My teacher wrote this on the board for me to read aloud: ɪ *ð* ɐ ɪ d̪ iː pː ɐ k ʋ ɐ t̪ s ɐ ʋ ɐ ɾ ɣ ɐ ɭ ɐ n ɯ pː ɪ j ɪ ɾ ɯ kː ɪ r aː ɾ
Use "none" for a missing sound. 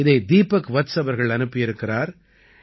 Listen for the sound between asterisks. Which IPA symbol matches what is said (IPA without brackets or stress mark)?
ð